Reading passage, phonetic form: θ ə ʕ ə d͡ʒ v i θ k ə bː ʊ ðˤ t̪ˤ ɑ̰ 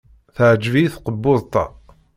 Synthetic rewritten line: θ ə ʕ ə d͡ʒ v i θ q ə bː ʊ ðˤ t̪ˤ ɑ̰